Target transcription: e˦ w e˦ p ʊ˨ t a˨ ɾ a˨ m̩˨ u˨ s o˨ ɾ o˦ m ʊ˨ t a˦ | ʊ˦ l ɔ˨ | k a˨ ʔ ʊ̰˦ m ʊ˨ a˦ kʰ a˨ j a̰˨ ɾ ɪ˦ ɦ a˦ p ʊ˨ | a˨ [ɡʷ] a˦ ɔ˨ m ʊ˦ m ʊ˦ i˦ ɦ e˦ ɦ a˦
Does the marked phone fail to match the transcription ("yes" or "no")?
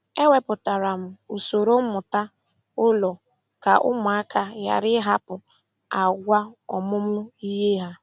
no